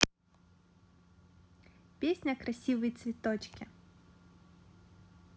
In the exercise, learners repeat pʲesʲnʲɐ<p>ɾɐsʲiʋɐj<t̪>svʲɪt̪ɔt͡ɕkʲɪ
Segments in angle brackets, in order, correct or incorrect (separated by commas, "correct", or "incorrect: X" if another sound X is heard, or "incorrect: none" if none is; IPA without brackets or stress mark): incorrect: k, correct